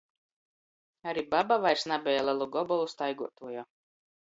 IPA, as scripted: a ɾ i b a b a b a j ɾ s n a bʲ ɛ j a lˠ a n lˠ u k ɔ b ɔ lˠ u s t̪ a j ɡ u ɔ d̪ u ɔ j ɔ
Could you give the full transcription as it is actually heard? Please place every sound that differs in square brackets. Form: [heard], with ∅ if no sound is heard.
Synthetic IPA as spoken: a ɾ i b a b a [v] a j ɾ s n a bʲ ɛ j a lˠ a [∅] lˠ u [ɡ] ɔ b ɔ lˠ u s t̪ a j ɡ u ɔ [t̪] u ɔ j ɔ